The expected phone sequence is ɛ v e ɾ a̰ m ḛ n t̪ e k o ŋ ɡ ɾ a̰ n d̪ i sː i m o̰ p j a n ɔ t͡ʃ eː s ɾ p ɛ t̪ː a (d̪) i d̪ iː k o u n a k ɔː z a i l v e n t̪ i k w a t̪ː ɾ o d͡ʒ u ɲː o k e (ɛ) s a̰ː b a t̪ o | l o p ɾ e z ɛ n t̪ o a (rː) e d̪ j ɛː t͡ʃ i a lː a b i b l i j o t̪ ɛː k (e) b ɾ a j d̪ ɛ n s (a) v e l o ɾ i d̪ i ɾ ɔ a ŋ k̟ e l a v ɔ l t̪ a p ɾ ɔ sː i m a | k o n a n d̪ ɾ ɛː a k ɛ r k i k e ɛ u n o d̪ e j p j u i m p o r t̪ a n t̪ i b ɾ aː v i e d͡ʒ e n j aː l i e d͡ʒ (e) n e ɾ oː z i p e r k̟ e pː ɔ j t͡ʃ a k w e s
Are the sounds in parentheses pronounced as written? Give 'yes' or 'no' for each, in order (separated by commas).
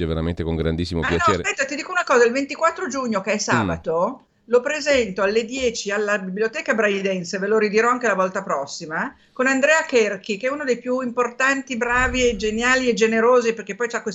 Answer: no, yes, no, no, no, yes